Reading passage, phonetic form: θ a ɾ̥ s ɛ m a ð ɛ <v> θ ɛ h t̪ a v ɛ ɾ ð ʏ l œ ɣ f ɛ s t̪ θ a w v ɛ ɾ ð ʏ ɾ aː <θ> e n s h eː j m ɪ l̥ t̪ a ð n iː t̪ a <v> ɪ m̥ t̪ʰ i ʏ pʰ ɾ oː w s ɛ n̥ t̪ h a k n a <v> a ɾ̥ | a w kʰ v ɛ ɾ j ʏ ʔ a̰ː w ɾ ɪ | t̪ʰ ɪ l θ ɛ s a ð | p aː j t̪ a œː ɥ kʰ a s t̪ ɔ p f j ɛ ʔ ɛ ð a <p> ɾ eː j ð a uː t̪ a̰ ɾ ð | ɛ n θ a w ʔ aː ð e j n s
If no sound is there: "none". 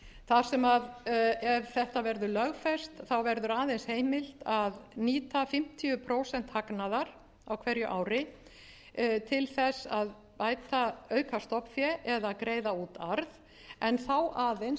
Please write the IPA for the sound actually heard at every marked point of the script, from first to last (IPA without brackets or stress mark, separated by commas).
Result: v, ð, f, ð, k